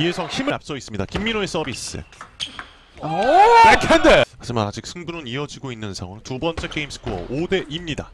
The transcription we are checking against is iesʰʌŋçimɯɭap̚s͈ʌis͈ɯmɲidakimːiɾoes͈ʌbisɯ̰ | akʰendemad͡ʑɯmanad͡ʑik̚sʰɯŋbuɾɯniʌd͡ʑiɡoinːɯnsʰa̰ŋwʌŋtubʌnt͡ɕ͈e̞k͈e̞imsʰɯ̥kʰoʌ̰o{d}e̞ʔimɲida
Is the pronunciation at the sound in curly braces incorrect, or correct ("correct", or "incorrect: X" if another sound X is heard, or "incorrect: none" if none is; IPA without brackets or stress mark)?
correct